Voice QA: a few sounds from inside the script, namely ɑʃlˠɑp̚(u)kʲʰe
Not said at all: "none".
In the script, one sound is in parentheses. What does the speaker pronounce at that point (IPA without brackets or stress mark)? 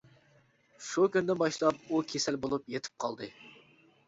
u